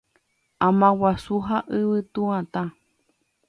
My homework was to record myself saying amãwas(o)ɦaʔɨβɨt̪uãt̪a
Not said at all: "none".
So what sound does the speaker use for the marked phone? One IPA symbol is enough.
u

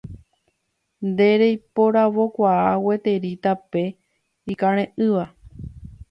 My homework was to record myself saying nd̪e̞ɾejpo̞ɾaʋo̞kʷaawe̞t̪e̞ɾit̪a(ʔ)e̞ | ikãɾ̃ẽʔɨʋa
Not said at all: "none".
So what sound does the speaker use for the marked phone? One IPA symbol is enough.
p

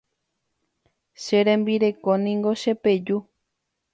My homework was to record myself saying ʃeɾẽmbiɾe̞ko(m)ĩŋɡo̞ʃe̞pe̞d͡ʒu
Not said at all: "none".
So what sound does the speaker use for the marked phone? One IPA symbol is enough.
n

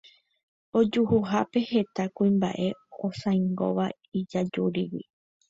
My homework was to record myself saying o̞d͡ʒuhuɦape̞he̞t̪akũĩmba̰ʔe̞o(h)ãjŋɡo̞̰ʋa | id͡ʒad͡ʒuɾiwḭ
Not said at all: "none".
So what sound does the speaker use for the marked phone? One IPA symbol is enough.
s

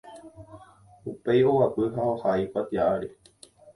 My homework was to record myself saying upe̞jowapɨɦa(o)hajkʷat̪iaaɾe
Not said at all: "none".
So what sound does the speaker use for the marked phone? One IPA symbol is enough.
o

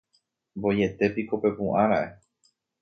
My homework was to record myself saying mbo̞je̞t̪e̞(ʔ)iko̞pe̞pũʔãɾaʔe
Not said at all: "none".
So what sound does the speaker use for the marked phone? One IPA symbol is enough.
p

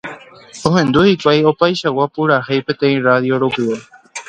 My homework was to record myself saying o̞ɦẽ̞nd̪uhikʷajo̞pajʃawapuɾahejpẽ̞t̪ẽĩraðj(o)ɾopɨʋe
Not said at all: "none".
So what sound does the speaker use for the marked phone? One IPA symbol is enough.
o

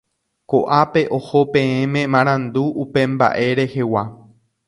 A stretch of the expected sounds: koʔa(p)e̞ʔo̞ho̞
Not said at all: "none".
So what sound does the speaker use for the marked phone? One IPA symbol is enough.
p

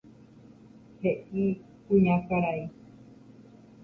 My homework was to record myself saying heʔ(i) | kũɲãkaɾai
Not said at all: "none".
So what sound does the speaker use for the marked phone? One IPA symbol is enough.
i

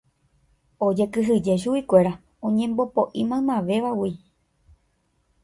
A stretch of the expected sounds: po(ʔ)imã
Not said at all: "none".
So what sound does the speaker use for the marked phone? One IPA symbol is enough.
ʔ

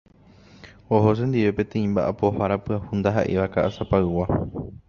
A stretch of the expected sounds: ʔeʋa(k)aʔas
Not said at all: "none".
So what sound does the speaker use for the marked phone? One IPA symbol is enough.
k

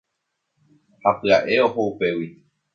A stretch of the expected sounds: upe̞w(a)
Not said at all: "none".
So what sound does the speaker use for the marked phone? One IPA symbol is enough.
i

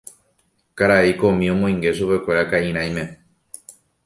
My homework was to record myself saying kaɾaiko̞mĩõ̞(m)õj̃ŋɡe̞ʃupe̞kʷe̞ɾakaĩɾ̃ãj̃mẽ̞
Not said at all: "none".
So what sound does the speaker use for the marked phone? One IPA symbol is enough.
m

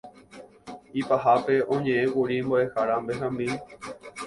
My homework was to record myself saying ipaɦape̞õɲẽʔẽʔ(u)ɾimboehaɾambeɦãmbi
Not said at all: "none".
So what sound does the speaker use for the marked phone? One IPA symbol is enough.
u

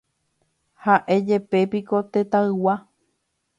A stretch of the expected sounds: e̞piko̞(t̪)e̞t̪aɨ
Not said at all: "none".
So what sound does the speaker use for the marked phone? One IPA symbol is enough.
t̪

